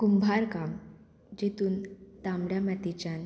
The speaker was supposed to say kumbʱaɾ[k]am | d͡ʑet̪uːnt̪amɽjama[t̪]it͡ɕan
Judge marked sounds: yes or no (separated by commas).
yes, yes